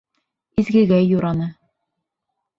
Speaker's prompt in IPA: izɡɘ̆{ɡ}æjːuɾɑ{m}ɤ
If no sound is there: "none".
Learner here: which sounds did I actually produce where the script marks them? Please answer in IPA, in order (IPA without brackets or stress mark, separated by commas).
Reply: ɡ, n